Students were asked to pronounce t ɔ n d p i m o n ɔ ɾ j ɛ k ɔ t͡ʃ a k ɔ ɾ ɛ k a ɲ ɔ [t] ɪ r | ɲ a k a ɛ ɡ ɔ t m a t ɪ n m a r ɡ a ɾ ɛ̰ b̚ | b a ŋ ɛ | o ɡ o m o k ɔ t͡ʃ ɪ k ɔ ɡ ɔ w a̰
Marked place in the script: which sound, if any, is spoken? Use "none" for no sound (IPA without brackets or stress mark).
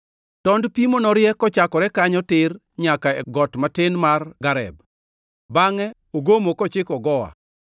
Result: t